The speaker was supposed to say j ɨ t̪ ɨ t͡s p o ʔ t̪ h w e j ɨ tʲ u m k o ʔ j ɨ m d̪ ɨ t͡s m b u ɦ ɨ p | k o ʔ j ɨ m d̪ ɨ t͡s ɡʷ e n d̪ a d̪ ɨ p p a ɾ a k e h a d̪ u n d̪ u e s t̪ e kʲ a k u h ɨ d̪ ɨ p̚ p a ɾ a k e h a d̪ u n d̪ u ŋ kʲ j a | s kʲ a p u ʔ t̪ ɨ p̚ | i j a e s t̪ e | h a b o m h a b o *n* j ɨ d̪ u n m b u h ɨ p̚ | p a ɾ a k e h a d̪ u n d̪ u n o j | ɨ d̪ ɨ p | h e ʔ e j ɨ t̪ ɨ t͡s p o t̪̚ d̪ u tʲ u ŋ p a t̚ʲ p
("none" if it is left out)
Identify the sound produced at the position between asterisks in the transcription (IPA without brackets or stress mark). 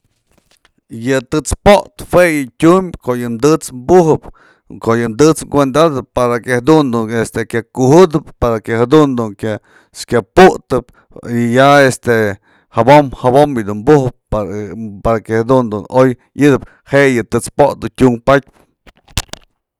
m